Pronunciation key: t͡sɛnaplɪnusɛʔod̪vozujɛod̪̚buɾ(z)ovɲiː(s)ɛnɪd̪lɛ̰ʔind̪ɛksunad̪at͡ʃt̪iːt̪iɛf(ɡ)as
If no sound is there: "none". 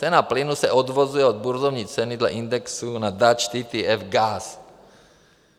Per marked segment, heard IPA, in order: z, t͡s, ɡ

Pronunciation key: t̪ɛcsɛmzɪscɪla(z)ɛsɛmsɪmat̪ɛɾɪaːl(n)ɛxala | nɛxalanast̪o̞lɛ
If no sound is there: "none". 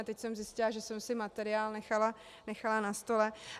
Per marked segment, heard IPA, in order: ʒ, n

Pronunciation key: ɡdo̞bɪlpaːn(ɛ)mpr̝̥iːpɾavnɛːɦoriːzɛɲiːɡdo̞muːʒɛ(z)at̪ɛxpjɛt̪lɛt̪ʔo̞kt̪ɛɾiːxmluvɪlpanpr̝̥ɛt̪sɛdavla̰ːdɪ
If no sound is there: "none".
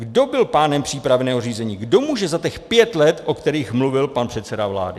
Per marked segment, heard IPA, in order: ɛ, z

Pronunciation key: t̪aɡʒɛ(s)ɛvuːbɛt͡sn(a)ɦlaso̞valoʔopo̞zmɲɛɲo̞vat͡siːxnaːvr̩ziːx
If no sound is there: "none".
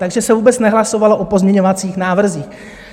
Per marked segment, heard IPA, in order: s, ɛ

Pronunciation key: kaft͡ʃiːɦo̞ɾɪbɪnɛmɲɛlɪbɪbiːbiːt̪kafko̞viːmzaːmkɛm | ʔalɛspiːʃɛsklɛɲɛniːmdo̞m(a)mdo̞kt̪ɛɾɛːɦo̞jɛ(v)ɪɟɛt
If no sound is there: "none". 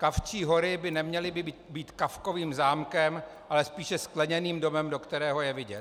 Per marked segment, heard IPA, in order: ɛ, v

